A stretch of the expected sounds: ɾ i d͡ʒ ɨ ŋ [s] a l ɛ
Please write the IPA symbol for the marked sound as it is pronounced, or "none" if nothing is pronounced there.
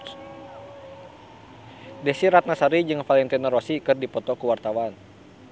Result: f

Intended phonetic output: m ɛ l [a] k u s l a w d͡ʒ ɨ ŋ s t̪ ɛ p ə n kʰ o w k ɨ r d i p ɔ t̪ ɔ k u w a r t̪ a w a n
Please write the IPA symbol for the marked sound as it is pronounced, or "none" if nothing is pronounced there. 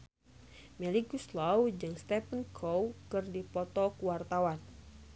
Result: i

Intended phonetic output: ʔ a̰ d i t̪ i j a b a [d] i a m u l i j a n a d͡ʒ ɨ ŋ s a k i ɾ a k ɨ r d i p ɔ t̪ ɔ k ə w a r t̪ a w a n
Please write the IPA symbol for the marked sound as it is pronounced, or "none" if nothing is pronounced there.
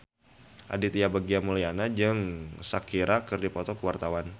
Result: ɡ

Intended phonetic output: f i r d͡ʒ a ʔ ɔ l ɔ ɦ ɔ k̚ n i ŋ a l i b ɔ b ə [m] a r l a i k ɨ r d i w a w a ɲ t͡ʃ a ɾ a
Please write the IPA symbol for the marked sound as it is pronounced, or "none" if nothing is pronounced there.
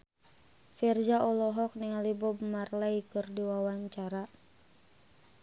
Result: m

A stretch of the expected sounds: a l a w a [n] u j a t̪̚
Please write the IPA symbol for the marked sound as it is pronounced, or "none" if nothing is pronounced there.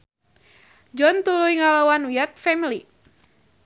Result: n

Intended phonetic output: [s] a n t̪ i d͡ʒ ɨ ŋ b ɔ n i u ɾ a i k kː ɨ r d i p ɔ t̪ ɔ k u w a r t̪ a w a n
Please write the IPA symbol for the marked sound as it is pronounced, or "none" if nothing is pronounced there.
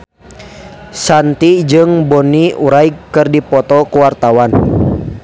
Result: s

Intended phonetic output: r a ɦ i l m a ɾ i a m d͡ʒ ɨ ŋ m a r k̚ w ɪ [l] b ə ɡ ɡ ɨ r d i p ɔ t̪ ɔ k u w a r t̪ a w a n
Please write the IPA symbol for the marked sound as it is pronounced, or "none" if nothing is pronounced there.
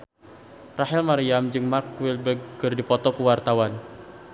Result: l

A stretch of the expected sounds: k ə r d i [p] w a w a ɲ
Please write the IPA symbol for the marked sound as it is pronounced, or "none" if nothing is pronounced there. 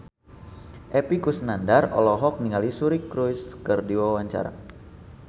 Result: none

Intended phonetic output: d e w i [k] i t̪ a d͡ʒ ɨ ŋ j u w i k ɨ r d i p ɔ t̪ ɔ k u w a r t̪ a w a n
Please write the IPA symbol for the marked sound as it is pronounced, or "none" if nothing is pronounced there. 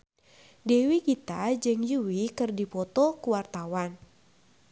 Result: k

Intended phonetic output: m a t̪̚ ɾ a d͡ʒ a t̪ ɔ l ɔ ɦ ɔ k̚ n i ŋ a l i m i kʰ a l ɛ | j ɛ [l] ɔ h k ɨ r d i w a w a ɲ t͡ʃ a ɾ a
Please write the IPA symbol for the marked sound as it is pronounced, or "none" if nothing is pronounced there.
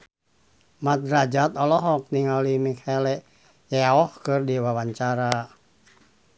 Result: none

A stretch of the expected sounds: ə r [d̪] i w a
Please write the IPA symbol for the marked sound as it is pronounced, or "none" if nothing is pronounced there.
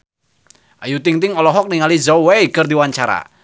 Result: d̪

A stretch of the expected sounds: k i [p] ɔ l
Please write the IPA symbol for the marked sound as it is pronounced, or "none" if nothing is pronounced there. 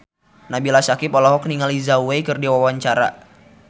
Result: p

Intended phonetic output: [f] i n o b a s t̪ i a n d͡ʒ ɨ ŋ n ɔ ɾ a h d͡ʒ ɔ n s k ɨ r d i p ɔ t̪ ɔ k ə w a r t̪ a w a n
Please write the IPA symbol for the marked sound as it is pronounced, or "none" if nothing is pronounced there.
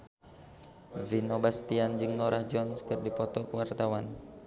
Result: v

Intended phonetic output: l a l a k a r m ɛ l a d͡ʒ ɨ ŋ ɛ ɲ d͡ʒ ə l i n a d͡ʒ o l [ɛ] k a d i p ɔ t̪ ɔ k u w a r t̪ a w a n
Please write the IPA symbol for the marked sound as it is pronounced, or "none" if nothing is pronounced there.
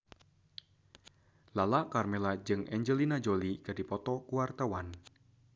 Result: i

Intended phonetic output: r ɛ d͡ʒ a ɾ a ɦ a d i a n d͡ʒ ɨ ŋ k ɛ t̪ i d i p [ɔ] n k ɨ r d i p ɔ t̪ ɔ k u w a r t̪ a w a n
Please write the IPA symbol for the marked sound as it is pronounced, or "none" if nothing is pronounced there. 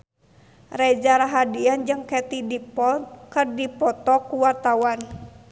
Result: ɔ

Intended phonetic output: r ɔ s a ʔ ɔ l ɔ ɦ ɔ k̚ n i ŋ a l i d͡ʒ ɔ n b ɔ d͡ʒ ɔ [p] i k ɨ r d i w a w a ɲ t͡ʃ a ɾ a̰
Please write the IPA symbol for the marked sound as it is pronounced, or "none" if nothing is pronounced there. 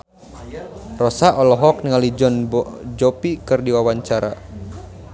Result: p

